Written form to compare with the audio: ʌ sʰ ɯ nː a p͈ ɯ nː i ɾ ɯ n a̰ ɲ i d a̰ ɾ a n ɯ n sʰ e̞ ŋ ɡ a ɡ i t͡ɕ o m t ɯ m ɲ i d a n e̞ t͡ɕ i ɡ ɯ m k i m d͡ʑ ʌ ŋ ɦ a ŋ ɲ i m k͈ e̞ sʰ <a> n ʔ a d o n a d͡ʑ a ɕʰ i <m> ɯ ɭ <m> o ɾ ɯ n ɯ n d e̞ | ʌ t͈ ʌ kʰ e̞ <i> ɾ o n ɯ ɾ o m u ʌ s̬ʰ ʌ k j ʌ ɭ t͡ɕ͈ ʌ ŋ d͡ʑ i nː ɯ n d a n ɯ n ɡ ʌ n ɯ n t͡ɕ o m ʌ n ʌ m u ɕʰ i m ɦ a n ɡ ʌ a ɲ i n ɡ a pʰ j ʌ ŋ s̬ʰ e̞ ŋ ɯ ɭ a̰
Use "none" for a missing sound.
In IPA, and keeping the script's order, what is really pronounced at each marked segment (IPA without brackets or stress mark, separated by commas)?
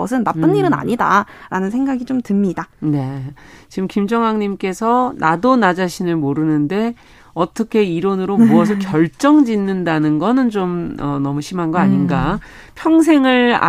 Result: ʌ, n, m, i